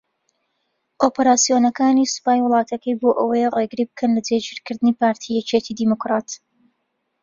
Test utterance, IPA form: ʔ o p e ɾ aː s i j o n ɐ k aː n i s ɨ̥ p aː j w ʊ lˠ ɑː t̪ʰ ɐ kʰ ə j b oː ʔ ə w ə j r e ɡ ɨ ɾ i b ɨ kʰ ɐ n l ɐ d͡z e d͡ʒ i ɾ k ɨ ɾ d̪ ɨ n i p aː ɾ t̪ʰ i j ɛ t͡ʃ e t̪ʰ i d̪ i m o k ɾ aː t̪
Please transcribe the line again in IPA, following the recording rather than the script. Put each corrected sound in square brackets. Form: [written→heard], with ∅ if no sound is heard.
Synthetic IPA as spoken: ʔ o p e ɾ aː s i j o n ɐ k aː n i s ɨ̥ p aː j w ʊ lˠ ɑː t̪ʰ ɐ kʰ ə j b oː ʔ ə w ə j r e ɡ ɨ ɾ i b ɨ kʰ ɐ n l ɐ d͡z e d͡ʒ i ɾ k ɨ ɾ d̪ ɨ n i p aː ɾ t̪ʰ i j ɛ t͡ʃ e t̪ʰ i d̪ i m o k ɾ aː t̪